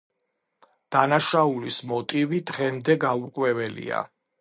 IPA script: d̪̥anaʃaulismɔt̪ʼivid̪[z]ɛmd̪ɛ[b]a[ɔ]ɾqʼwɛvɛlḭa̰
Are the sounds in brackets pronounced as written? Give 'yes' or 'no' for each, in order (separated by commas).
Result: no, no, no